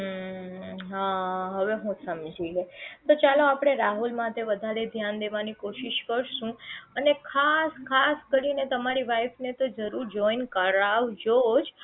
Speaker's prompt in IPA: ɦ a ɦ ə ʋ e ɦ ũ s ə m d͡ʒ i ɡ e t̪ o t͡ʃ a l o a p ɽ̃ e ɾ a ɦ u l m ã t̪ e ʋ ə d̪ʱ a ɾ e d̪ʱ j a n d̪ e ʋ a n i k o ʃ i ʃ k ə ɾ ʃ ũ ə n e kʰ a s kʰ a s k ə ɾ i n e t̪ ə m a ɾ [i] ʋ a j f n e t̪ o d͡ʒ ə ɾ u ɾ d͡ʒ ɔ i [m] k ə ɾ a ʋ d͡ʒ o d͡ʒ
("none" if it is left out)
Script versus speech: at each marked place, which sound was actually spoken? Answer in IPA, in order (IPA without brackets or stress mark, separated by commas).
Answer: i, n